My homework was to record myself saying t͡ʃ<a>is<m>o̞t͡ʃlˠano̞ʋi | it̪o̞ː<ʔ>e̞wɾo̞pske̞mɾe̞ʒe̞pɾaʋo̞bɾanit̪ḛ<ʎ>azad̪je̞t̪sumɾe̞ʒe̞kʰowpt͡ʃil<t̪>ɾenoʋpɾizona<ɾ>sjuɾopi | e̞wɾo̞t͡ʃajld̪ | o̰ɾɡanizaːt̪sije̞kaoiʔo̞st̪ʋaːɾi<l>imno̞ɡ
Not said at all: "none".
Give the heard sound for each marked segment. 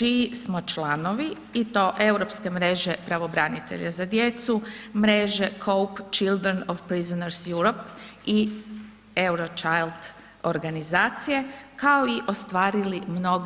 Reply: i, m, ʔ, ʎ, d̪, ɾ, l

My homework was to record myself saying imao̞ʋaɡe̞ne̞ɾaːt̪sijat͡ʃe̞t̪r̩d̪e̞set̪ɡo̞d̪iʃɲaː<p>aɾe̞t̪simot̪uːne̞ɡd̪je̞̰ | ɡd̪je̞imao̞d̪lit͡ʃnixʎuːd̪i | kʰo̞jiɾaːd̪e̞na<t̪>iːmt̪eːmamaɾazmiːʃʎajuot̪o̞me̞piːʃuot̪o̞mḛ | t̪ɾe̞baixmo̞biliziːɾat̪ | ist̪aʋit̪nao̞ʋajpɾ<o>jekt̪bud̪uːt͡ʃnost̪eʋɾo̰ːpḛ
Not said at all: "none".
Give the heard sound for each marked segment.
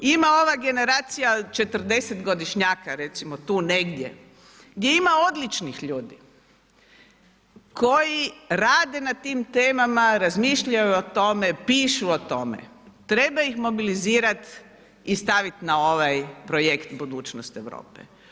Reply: k, t̪, o

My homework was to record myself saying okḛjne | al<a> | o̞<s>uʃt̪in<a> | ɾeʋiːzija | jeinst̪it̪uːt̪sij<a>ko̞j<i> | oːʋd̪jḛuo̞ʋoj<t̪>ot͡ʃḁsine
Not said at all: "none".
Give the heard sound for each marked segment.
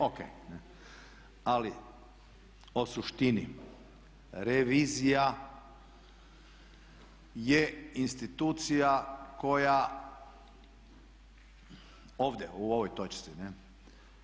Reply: i, s, i, a, a, t̪

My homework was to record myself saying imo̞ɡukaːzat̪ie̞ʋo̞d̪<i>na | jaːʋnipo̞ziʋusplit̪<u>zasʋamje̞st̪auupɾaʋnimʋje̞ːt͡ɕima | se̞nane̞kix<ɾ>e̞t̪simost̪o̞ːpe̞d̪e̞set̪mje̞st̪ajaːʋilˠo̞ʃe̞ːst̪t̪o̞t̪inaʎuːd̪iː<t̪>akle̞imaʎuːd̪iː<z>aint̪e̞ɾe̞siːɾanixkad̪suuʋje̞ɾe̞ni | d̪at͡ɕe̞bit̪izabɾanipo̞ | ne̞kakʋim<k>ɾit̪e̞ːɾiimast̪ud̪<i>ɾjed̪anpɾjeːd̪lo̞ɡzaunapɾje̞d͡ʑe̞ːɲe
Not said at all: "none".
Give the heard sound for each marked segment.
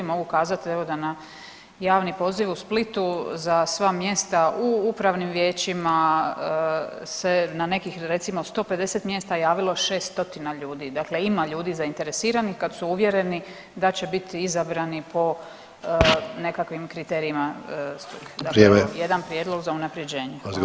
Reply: a, u, ɾ, d̪, z, k, a

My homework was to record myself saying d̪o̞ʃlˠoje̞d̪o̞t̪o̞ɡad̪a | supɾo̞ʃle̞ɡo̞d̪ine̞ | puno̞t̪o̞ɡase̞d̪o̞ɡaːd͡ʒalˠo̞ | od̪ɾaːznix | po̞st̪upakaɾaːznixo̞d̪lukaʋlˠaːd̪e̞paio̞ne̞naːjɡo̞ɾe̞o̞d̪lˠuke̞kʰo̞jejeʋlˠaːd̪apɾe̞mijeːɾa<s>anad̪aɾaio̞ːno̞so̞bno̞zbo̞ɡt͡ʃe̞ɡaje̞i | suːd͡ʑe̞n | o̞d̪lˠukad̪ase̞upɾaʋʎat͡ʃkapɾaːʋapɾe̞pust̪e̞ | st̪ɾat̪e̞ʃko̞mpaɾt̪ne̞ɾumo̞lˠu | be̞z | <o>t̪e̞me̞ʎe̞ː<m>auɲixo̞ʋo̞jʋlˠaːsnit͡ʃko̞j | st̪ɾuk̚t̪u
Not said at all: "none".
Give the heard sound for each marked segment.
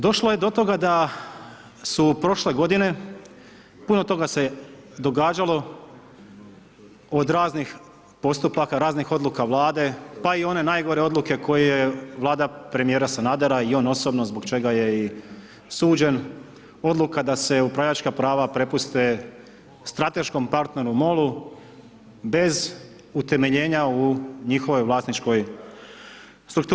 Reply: s, u, ɲ

